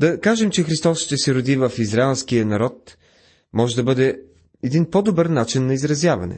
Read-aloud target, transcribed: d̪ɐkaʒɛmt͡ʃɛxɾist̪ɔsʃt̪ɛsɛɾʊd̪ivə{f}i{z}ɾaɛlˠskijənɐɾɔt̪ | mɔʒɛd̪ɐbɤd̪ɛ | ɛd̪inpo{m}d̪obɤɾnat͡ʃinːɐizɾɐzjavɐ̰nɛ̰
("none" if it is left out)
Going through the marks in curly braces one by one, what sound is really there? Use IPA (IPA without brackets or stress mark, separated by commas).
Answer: f, z, none